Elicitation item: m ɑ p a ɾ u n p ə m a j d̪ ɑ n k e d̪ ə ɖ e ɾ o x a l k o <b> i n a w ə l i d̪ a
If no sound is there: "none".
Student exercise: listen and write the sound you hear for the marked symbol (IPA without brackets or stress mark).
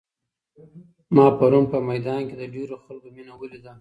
m